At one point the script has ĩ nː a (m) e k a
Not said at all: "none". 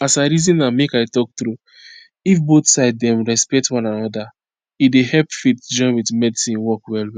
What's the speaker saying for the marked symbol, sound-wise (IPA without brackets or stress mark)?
m